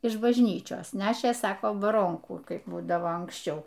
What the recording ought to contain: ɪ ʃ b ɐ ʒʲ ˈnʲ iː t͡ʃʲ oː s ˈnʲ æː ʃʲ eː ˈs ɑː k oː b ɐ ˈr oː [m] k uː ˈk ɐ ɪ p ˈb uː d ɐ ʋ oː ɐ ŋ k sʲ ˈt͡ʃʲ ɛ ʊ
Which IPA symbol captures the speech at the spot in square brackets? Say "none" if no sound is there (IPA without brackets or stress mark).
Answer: ŋ